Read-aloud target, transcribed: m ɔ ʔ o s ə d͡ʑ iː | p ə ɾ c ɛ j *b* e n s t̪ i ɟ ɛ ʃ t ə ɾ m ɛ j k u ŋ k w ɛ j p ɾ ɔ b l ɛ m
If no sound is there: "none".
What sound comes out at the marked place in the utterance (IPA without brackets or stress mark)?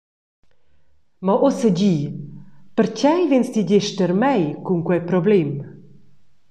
v